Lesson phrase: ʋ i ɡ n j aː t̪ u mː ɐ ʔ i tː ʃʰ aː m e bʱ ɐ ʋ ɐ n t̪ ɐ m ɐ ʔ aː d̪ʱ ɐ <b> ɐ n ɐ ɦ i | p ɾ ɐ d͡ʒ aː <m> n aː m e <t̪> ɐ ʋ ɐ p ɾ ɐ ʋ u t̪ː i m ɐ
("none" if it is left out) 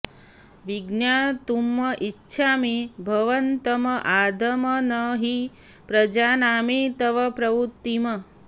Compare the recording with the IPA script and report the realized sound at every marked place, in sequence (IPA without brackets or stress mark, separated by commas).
m, none, t̪